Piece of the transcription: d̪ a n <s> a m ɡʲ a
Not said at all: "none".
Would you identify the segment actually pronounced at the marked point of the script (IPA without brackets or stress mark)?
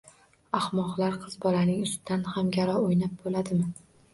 h